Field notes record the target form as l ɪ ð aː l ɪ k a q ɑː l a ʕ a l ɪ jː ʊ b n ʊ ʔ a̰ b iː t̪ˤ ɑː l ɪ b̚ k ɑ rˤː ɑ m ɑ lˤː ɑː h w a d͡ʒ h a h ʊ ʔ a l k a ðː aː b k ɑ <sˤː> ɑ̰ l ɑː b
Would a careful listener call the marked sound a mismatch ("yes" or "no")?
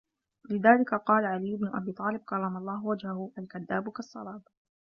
no